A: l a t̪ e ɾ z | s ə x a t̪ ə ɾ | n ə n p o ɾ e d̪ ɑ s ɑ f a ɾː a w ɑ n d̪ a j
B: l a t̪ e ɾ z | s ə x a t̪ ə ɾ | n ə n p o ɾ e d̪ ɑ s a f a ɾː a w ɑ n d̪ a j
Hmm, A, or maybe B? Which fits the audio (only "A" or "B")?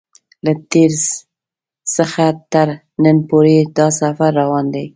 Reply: B